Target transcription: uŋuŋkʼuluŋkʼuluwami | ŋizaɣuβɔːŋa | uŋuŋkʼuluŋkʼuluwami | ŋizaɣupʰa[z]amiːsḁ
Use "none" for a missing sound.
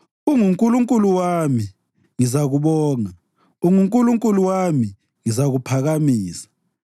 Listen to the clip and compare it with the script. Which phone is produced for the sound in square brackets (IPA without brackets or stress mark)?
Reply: ɣ